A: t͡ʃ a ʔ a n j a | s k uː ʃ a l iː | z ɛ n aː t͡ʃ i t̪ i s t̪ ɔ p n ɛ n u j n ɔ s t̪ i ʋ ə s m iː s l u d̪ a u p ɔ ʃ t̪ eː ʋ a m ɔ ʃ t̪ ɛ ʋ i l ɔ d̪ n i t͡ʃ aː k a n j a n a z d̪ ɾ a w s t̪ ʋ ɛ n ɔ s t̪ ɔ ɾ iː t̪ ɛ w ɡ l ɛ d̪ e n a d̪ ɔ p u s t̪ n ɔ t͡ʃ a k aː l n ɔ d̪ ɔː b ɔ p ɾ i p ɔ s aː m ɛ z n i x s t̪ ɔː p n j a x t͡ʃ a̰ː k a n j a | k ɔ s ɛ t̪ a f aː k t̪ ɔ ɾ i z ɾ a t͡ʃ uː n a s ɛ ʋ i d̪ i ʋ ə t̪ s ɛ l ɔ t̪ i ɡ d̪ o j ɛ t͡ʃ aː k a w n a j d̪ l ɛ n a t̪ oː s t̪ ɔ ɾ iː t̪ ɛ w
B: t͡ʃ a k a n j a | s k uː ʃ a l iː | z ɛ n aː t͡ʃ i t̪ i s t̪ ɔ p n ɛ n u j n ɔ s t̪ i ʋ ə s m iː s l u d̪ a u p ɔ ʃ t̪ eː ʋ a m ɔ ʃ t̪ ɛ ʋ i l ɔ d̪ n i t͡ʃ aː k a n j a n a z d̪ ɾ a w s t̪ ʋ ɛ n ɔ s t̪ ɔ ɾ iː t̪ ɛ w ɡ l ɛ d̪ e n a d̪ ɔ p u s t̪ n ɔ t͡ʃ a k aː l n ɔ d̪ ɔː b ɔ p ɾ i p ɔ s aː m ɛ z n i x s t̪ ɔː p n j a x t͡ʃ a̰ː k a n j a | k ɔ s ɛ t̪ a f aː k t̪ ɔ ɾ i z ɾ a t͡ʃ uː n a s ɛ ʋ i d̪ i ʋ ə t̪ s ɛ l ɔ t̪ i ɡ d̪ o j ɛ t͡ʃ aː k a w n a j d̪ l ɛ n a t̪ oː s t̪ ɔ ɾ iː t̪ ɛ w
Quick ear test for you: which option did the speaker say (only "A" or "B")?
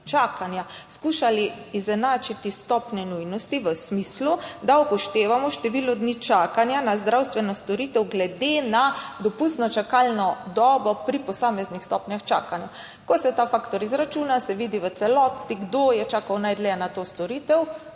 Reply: B